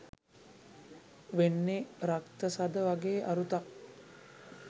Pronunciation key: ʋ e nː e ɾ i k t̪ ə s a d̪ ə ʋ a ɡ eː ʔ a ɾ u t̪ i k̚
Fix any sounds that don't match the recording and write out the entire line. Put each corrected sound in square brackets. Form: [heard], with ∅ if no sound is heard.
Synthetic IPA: ʋ e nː e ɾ [a] k t̪ ə s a d̪ ə ʋ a ɡ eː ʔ a ɾ u t̪ [a] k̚